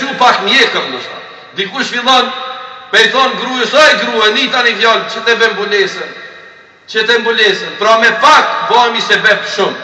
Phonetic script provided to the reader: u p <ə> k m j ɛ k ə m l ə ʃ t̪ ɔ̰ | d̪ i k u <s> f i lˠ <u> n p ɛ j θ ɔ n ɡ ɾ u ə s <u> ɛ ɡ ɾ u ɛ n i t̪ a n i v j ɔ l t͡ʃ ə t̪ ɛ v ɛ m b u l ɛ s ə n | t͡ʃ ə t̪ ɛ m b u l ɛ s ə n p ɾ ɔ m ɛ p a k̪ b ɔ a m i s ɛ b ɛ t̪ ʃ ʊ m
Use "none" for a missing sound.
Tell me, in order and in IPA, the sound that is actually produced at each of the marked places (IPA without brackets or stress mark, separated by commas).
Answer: a, ʃ, ɔ, ɔ